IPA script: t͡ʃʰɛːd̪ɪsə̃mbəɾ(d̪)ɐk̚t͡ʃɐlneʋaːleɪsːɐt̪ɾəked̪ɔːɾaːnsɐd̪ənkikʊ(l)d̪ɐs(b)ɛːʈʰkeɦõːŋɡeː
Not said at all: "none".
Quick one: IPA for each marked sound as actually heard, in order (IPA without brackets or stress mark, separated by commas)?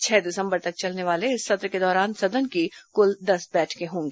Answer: t̪, l, b